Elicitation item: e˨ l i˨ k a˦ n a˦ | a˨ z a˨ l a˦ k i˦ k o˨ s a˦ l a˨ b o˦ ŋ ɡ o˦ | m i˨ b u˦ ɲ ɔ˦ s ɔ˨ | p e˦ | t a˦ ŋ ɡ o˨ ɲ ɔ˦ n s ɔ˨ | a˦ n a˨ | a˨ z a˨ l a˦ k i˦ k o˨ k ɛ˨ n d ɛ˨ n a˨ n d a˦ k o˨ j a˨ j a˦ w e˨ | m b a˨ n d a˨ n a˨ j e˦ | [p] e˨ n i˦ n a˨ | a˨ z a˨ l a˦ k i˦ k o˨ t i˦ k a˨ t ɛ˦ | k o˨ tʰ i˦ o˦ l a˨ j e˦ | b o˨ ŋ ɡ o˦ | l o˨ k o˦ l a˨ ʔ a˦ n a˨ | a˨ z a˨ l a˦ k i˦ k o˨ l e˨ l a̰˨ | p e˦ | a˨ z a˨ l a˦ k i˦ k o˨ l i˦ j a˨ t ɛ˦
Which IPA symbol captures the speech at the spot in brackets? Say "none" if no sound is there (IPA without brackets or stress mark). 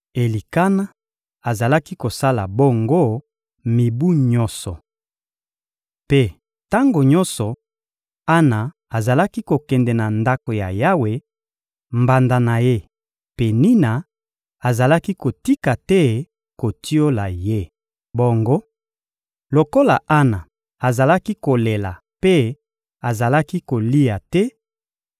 p